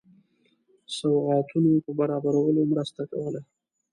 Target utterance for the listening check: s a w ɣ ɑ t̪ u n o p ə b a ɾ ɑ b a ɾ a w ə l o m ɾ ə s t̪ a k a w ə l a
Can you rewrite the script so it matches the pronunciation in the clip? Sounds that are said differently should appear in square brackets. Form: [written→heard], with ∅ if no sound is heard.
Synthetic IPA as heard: s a w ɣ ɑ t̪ u n o p ə b a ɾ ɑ b a ɾ a w ə l o m ɾ ə s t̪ a k a w ə l a

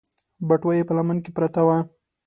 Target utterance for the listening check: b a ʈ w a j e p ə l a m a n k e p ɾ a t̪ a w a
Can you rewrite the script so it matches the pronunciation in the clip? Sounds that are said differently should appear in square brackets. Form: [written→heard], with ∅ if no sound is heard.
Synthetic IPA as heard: b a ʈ w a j e p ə l a m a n k e p ɾ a t̪ a w a

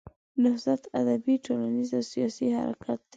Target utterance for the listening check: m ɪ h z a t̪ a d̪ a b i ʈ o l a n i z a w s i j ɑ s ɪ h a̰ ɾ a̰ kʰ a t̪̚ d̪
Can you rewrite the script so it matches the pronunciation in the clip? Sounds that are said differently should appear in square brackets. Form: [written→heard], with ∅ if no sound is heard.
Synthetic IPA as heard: [m→n] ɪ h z a t̪ a d̪ a b i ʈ o l a n i z a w s i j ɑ s [ɪ→i] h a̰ ɾ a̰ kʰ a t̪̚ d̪

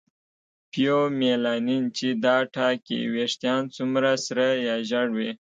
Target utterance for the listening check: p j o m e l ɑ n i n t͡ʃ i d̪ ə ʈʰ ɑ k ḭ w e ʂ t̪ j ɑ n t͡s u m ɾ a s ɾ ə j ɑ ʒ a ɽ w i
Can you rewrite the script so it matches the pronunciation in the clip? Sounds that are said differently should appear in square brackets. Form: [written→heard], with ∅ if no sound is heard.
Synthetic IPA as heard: p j o m e l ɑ n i n t͡ʃ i d̪ [ə→ɑ] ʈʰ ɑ k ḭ w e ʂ t̪ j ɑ n t͡s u m ɾ a s ɾ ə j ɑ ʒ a ɽ w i

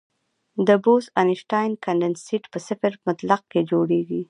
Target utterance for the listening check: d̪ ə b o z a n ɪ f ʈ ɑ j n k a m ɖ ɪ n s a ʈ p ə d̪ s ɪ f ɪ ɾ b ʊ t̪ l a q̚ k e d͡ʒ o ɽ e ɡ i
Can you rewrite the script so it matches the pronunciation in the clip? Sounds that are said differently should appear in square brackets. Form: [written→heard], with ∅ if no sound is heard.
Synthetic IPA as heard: d̪ ə b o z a n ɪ [f→ʃ] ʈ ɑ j n k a [m→ɳ] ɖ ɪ n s [a→i] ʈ p ə [d̪→∅] s ɪ f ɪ ɾ [b→m] ʊ t̪ l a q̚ k e d͡ʒ o ɽ e ɡ i

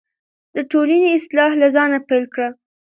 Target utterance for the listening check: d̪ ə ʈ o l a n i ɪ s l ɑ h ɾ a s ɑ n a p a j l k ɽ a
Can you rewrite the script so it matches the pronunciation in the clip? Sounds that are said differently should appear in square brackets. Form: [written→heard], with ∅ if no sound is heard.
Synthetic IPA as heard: d̪ ə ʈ o l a n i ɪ s l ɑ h [ɾ→l] a [s→z] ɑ n a p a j l k ɽ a

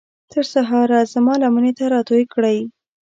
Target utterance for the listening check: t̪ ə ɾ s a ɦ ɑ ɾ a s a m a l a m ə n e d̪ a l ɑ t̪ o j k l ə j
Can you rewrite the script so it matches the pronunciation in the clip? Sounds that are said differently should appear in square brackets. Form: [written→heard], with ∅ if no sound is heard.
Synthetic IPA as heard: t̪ ə ɾ s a ɦ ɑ ɾ a [s→z] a m [a→ɑ] l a m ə n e [d̪→t̪] a [l→ɾ] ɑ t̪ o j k [l→ɽ] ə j

